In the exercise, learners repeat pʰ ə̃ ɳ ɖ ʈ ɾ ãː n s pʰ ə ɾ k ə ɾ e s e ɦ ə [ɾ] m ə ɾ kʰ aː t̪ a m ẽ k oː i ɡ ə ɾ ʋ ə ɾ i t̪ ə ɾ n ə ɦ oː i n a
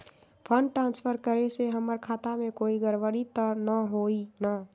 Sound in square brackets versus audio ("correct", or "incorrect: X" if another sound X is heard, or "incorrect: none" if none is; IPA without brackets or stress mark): incorrect: none